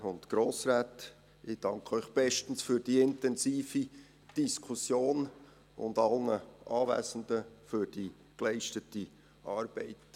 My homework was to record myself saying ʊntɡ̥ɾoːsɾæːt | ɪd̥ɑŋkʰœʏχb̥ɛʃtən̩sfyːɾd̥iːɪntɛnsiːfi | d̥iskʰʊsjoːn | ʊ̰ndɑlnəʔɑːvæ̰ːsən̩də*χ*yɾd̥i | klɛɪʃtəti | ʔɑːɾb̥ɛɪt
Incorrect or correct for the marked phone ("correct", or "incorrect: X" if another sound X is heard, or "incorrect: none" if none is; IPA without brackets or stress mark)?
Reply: incorrect: f